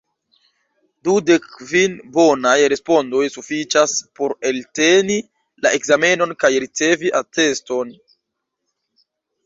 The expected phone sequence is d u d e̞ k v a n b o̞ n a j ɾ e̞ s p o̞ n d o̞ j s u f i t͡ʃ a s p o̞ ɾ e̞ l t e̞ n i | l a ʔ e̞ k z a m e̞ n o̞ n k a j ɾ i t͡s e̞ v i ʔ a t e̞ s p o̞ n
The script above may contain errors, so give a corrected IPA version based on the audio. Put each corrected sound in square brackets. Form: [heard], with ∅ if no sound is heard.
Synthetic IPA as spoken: d u d e̞ k v [i] n b o̞ n a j ɾ e̞ s p o̞ n d o̞ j s u f i t͡ʃ a s p o̞ ɾ e̞ l t e̞ n i | l a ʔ e̞ k z a m e̞ n o̞ n k a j ɾ i t͡s e̞ v i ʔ a t e̞ s [t] o̞ n